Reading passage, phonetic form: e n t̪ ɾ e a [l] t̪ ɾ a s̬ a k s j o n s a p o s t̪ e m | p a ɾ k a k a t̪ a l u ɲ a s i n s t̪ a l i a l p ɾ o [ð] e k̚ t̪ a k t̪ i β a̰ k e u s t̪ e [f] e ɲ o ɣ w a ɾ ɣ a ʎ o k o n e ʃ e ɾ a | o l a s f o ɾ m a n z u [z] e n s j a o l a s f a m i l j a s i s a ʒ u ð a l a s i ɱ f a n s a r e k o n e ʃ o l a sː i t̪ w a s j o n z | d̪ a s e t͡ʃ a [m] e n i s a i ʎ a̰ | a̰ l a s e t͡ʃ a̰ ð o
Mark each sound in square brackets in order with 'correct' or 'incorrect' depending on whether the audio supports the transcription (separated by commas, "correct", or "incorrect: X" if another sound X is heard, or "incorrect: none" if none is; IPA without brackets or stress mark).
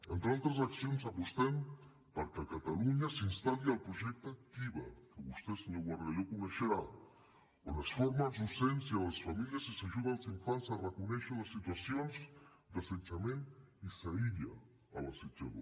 correct, incorrect: ʒ, incorrect: s, incorrect: s, correct